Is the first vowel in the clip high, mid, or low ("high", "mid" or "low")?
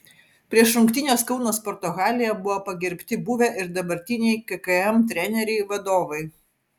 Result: high